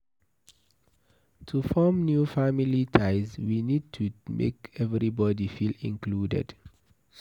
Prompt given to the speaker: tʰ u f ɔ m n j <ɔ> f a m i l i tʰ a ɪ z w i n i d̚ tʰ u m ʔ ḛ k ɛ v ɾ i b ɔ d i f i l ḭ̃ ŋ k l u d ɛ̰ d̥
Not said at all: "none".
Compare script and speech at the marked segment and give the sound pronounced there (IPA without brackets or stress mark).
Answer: u